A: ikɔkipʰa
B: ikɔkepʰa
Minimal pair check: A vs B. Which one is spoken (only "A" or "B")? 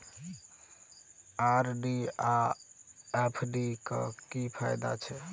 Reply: A